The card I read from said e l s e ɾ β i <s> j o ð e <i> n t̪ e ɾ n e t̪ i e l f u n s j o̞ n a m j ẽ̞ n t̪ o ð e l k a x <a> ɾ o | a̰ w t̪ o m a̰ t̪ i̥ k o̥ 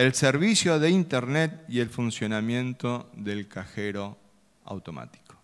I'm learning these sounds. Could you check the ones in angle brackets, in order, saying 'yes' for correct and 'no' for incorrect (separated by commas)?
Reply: yes, yes, no